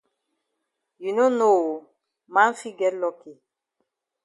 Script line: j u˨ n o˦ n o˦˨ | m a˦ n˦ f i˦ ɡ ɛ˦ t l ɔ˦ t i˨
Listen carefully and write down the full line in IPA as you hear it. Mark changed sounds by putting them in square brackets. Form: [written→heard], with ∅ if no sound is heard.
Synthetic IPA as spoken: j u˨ n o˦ n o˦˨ | m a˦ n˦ f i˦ ɡ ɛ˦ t l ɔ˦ [t→k] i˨